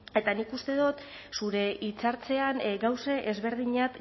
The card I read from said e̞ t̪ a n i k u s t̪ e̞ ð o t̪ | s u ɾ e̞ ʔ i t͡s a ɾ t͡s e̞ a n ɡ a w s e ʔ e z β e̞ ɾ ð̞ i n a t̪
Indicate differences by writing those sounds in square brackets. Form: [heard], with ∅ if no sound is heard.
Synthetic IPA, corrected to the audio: e̞ t̪ a n i k u s t̪ e̞ ð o t̪ | s u ɾ e̞ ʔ i t͡s a ɾ t͡s e̞ a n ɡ a w s e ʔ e z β e̞ ɾ ð̞ i [ɲ] a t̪